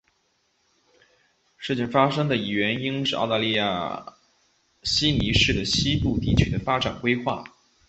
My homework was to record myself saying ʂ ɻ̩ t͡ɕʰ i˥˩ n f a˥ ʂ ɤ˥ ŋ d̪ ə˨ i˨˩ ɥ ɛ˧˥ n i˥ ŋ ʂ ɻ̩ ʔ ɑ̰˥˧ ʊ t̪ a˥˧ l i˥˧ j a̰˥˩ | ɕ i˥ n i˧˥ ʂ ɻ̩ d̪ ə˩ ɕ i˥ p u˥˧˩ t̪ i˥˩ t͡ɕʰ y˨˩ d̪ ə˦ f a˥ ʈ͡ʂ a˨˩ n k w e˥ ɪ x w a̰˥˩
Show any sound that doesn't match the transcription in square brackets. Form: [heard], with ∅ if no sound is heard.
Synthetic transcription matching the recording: ʂ ɻ̩ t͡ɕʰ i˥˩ [ŋ] f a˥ ʂ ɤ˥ ŋ d̪ ə˨ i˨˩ ɥ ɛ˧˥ n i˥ ŋ ʂ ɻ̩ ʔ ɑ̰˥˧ ʊ t̪ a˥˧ l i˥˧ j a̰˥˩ | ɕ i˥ n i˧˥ ʂ ɻ̩ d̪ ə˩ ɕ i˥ p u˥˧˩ t̪ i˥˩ t͡ɕʰ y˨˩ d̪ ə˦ f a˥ ʈ͡ʂ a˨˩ n k w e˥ ɪ x w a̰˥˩